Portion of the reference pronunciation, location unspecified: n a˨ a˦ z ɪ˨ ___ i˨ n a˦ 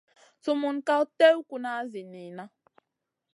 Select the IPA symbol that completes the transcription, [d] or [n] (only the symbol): n